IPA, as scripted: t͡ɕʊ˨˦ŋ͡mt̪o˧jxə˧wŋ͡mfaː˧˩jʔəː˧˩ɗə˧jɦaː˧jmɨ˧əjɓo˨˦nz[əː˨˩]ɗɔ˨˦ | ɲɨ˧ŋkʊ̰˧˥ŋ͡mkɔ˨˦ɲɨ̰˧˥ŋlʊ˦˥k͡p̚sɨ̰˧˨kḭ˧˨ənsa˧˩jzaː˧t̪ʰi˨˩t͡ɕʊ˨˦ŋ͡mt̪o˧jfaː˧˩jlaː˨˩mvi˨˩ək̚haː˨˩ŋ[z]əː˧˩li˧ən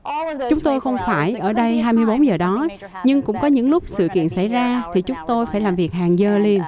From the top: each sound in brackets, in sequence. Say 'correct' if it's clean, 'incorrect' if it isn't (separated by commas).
correct, correct